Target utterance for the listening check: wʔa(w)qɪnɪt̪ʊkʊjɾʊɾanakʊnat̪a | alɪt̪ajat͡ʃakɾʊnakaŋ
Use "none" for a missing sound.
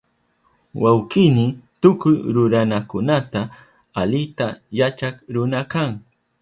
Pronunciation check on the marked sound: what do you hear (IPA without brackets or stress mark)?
w